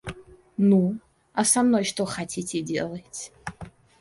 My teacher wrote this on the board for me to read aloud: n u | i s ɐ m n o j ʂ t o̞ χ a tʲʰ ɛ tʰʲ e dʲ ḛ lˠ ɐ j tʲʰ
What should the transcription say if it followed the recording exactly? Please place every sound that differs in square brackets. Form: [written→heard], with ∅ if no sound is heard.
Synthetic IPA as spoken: n u | [i→a] s [ɐ→a] m n o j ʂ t o̞ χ a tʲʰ [ɛ→i] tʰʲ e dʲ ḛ lˠ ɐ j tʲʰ